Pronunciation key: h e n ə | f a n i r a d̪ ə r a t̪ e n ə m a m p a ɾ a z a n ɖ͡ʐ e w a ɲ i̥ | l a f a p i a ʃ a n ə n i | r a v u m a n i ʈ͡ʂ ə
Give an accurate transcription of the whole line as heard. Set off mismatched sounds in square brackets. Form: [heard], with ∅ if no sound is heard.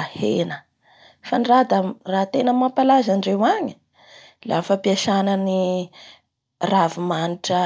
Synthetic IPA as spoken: h e n ə | f a n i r a d̪ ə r a t̪ e n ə m a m p a [l] a z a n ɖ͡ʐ e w a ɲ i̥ | l a f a p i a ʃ a n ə n i | r a v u m a n i ʈ͡ʂ ə